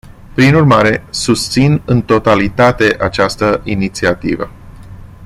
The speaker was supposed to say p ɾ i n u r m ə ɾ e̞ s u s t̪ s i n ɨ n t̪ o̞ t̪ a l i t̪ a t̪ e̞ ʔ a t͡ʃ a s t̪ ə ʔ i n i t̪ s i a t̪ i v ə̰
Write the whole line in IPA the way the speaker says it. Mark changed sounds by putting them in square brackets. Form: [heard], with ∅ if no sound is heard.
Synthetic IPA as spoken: p ɾ i n u r m [a] ɾ e̞ s u s t̪ s i n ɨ n t̪ o̞ t̪ a l i t̪ a t̪ e̞ ʔ a t͡ʃ a s t̪ ə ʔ i n i t̪ s i a t̪ i v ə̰

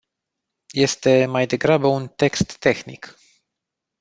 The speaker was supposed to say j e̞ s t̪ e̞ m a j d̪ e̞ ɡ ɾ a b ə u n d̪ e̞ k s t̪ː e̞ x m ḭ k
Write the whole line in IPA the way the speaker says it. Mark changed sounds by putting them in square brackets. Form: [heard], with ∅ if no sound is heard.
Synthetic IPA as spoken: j e̞ s t̪ e̞ m a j d̪ e̞ ɡ ɾ a b ə u n [t̪] e̞ k s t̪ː e̞ x [n] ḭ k

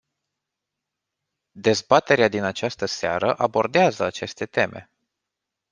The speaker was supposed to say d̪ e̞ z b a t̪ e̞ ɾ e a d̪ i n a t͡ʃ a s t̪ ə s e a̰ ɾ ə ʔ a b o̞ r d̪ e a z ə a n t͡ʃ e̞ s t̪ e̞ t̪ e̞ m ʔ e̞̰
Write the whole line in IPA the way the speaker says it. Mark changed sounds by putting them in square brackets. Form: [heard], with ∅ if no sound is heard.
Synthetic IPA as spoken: d̪ e̞ z b a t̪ e̞ ɾ e a d̪ i n a t͡ʃ a s t̪ ə s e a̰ ɾ ə ʔ a b o̞ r d̪ e a z ə a [∅] t͡ʃ e̞ s t̪ e̞ t̪ e̞ m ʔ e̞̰

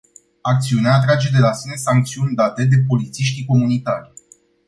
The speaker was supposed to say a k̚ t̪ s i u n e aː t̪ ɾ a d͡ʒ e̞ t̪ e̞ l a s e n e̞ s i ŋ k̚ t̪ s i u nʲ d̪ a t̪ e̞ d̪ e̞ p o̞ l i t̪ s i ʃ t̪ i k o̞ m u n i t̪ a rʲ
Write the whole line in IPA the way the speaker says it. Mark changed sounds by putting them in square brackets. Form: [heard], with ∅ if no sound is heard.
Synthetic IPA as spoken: a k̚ t̪ s i u n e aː t̪ ɾ a d͡ʒ e̞ [d̪] e̞ l a s [i] n e̞ s [a] ŋ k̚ t̪ s i u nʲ d̪ a t̪ e̞ d̪ e̞ p o̞ l i t̪ s i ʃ t̪ i k o̞ m u n i t̪ a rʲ

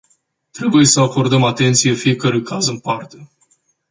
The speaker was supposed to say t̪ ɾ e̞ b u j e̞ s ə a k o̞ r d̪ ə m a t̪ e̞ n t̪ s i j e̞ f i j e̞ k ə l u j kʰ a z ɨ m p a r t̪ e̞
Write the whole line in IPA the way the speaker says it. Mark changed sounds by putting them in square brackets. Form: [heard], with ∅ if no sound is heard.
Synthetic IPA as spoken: t̪ ɾ e̞ b u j e̞ s ə a k o̞ r d̪ ə m a t̪ e̞ n t̪ s i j e̞ f i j e̞ k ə [ɾ] u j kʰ a z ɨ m p a r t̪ e̞

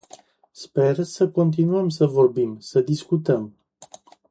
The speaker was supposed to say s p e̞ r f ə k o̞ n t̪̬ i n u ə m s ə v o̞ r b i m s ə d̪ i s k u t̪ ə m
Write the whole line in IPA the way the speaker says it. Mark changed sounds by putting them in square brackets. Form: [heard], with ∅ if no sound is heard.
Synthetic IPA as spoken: s p e̞ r [s] ə k o̞ n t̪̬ i n u ə m s ə v o̞ r b i m s ə d̪ i s k u t̪ ə m

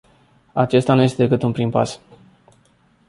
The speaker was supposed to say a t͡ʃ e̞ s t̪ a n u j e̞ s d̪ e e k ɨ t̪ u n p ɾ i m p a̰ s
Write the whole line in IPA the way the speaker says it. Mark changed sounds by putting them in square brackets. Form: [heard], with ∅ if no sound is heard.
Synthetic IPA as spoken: a t͡ʃ e̞ s t̪ a n u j e̞ s [t̪] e e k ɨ t̪ u n p ɾ i m p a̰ s

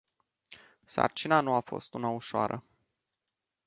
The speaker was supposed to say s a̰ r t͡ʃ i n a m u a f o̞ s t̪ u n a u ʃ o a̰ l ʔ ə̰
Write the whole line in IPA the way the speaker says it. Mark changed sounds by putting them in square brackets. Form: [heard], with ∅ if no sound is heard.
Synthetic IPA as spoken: s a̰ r t͡ʃ i n a [n] u a f o̞ s t̪ u n a u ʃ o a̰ [ɾ] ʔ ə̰

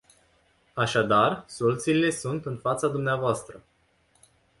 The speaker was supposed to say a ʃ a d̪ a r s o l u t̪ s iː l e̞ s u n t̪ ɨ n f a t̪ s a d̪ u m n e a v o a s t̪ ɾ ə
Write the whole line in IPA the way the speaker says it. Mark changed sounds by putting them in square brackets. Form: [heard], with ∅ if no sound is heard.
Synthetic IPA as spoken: a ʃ a d̪ a r s o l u t̪ s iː l e̞ s u n t̪ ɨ n f a t̪ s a d̪ u m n e a v o a s t̪ ɾ ə

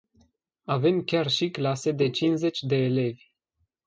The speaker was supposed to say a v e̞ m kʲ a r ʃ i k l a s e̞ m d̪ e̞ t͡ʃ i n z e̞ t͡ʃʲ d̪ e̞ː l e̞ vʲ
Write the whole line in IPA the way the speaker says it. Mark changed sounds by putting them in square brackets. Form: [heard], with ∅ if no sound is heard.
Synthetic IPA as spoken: a v e̞ m kʲ a r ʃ i k l a s e̞ [∅] d̪ e̞ t͡ʃ i n z e̞ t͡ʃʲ d̪ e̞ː l e̞ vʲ

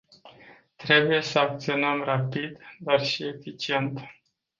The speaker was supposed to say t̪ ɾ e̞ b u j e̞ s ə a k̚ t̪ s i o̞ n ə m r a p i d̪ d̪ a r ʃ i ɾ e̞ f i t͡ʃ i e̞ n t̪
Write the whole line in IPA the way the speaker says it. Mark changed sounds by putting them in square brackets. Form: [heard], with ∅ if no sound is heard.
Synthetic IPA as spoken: t̪ ɾ e̞ b u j e̞ s ə a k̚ t̪ s i o̞ n ə m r a p i d̪ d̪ a r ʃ i [∅] e̞ f i t͡ʃ i e̞ n t̪

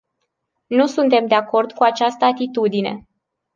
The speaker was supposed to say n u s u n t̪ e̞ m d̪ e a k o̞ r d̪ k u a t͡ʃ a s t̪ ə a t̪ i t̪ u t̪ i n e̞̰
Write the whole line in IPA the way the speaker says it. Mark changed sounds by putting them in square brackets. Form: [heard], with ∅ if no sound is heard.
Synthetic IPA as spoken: n u s u n t̪ e̞ m d̪ e a k o̞ r d̪ k u a t͡ʃ a s t̪ ə a t̪ i t̪ u [d̪] i n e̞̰

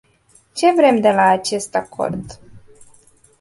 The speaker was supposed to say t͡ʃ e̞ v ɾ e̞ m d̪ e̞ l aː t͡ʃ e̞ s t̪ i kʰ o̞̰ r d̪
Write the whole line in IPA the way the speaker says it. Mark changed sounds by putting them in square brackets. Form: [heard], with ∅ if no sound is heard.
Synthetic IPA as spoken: t͡ʃ e̞ v ɾ e̞ m d̪ e̞ l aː t͡ʃ e̞ s t̪ [a] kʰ o̞̰ r d̪

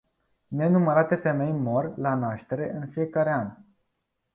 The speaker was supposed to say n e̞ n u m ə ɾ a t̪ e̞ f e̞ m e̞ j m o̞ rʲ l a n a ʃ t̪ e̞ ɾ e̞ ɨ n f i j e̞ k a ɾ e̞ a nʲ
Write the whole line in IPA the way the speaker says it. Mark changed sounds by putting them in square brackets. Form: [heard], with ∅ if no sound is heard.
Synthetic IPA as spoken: n e̞ n u m ə ɾ a t̪ e̞ f e̞ m e̞ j m o̞ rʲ l a n a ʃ t̪ e̞ ɾ e̞ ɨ n f i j e̞ k a ɾ e̞ a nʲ

